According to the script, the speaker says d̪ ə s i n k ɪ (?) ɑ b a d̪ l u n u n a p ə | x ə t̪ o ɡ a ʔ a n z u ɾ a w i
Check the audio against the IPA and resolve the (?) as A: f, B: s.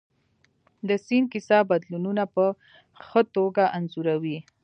B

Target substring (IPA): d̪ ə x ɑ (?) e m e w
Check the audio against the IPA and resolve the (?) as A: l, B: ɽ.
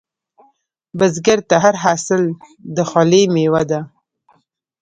A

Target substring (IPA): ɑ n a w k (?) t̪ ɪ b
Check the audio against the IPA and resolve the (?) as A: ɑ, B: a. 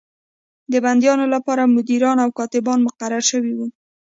A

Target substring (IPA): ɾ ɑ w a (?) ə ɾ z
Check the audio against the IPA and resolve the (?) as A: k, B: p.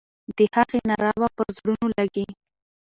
B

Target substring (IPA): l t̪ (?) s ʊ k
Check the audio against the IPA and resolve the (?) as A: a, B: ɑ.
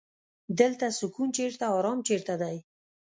A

